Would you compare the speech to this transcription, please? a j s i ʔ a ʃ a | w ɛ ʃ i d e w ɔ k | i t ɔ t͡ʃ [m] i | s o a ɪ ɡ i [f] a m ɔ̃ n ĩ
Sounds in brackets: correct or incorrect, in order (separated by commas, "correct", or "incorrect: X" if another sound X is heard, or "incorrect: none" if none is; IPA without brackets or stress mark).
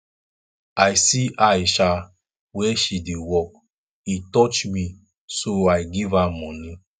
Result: correct, incorrect: v